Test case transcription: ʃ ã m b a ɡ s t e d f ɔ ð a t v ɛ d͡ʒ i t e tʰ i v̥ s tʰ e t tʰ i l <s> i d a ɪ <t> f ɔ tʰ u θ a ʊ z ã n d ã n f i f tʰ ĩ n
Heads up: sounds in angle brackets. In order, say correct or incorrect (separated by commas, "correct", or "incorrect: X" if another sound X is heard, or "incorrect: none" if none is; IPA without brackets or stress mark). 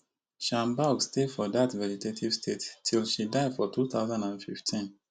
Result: incorrect: ʃ, incorrect: d